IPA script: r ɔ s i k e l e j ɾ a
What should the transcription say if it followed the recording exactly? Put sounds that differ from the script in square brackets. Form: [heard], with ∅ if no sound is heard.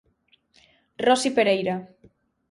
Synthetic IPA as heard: r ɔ s i [p] e [ɾ] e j ɾ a